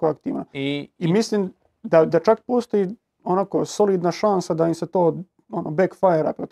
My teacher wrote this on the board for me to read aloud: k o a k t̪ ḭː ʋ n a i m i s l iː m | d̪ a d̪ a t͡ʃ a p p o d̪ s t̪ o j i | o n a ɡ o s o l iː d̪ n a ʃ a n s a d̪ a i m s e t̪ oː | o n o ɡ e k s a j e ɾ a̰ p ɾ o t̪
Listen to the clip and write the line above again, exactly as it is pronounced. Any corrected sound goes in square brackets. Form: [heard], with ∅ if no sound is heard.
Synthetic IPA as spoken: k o a k t̪ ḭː ʋ n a i m i s l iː m | d̪ a d̪ a t͡ʃ a [k] p o [∅] s t̪ o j i | o n a [k] o s o l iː d̪ n a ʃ a n s a d̪ a i m s e t̪ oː | o n o [b] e k [f] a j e ɾ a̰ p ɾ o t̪